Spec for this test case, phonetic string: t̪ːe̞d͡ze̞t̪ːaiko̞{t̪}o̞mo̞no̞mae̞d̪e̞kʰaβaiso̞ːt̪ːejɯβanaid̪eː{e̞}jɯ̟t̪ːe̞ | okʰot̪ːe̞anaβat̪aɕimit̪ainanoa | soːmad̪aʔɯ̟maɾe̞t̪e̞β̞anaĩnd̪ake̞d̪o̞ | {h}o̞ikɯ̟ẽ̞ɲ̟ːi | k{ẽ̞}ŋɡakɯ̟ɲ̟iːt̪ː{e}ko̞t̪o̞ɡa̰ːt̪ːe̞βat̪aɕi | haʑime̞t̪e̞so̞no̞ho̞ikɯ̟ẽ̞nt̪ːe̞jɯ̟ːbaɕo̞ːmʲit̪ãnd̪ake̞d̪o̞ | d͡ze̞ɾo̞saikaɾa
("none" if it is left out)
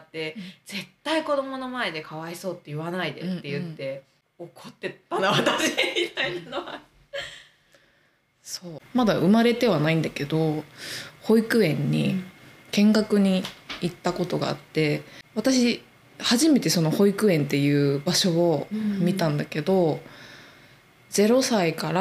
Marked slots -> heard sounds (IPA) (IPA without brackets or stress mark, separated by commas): d̪, e̞, h, ẽ̞, a